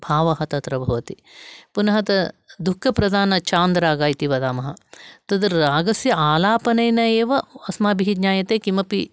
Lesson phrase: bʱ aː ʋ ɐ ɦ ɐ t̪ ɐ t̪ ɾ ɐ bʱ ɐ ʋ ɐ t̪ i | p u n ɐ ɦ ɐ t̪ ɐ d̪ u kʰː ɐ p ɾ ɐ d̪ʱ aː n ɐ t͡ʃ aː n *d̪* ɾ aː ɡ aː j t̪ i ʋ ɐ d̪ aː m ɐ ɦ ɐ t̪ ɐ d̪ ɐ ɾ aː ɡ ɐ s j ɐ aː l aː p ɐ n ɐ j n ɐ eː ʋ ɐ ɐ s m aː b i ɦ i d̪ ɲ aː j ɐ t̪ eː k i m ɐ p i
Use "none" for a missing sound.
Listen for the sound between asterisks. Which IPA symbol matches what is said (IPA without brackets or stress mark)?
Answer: d̪